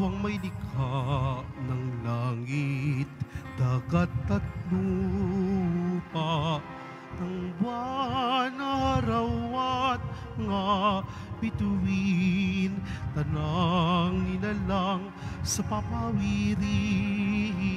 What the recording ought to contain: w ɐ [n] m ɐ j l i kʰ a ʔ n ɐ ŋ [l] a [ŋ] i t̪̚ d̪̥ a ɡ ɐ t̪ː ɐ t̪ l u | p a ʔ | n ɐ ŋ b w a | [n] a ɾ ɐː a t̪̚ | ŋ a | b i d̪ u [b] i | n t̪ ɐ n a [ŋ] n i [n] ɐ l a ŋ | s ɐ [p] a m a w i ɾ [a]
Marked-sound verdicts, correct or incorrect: incorrect, correct, correct, correct, incorrect, correct, correct, correct, incorrect

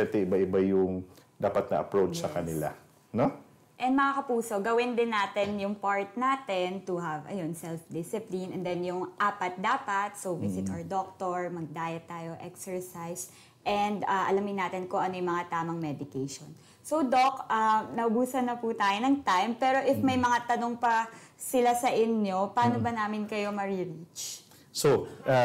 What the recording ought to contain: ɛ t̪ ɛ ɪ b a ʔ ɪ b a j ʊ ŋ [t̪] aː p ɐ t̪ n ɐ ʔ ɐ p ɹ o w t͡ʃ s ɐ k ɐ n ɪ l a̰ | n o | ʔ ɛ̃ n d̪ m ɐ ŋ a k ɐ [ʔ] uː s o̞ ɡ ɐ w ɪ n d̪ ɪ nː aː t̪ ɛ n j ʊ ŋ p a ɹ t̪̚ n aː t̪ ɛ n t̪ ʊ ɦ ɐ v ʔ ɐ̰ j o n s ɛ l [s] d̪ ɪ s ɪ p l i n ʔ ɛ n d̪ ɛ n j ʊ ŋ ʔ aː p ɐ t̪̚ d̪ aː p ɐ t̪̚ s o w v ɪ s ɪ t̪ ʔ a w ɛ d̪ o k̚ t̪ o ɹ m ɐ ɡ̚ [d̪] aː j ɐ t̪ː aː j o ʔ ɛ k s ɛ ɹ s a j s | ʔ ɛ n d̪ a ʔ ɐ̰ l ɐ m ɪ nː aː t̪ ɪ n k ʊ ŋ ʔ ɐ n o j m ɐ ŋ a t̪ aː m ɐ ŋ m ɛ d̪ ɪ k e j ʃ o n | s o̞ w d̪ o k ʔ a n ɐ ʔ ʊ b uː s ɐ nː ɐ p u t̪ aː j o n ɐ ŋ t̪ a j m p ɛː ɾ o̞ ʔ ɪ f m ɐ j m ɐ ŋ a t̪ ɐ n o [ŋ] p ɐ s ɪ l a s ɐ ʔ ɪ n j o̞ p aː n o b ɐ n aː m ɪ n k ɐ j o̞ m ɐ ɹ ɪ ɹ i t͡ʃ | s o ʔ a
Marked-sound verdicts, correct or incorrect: incorrect, incorrect, incorrect, correct, correct

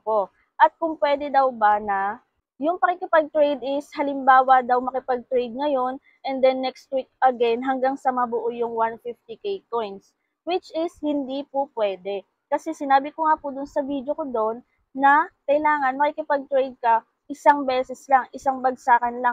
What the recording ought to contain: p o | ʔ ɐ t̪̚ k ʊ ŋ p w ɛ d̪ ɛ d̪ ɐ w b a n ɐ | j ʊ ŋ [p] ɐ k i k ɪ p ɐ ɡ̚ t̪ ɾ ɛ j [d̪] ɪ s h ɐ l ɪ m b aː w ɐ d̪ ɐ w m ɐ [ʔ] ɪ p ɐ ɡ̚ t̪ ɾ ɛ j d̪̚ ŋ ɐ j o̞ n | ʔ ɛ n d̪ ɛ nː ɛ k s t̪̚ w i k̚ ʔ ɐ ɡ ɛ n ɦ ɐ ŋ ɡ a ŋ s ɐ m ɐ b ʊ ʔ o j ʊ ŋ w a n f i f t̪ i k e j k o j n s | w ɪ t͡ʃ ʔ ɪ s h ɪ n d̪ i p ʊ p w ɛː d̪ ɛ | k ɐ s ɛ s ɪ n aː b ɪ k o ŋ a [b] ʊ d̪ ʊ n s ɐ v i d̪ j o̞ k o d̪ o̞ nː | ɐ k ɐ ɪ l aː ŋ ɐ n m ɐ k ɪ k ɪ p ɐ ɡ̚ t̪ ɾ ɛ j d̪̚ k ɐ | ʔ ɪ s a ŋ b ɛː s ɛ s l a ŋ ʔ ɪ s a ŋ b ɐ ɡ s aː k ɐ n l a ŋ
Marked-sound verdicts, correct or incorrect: correct, correct, incorrect, incorrect

